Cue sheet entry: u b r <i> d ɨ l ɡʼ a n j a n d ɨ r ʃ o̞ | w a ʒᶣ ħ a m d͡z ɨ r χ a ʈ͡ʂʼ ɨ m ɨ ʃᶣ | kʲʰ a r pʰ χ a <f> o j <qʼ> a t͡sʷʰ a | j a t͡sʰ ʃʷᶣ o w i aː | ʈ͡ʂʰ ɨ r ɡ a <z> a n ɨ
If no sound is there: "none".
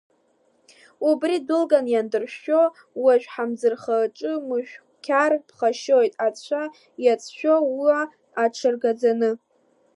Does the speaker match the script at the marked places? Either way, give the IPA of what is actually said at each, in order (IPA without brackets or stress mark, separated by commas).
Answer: i, ʃ, tʼ, d͡z